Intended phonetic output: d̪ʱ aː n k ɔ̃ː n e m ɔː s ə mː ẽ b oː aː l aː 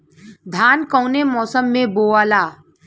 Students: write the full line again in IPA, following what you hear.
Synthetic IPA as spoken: d̪ʱ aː n k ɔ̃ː n e m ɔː s ə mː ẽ b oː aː l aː